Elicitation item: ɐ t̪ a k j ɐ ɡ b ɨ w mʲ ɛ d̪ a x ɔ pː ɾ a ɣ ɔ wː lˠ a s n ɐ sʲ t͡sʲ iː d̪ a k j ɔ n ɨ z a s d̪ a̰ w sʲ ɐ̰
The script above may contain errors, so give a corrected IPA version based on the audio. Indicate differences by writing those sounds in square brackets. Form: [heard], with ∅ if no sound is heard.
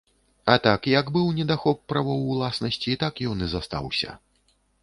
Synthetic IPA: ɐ t̪ a k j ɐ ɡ b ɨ w [nʲ] ɛ d̪ a x ɔ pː ɾ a [v] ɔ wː lˠ a s n ɐ sʲ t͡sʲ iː [t̪] a k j ɔ n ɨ z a s [t̪] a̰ w sʲ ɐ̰